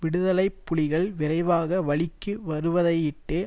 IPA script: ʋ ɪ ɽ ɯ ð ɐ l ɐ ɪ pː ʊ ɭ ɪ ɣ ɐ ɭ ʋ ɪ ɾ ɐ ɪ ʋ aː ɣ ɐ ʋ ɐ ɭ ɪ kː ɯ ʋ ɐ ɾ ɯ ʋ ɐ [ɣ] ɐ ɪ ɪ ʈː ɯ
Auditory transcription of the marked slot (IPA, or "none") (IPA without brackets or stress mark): ð